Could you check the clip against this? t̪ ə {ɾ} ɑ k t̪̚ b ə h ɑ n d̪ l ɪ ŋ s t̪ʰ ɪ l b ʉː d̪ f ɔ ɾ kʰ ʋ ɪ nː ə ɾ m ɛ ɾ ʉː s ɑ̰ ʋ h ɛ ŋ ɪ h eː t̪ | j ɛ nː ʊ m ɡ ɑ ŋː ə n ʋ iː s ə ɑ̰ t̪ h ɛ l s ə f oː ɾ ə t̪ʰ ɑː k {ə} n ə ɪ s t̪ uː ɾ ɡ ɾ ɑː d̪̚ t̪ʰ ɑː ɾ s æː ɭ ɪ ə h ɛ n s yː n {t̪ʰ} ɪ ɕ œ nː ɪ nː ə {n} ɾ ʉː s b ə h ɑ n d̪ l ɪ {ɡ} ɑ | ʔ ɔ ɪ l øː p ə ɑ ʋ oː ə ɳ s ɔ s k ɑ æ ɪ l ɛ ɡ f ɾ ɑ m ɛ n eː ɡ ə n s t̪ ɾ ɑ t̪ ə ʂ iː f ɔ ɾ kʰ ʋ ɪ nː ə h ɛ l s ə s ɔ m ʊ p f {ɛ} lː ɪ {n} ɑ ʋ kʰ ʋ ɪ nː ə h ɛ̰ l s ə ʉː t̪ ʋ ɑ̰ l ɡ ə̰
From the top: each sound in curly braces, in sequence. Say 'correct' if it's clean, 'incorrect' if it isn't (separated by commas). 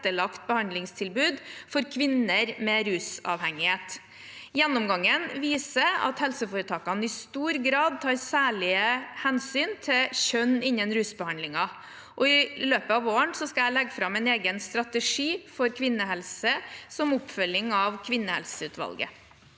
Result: incorrect, incorrect, correct, correct, incorrect, incorrect, incorrect